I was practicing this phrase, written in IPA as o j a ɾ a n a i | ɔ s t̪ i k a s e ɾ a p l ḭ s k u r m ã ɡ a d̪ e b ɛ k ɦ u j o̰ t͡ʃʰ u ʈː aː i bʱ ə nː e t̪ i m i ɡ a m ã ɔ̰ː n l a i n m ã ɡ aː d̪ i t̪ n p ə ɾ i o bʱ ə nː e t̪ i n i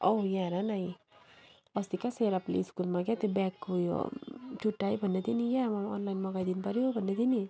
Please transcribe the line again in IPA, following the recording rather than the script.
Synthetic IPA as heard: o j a ɾ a n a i | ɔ s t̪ i k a s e ɾ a p l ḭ s k u l m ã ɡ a t̪ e b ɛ k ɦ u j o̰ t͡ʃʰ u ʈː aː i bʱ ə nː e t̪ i n i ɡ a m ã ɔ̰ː n l a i n m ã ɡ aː d̪ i n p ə ɾ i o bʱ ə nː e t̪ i n i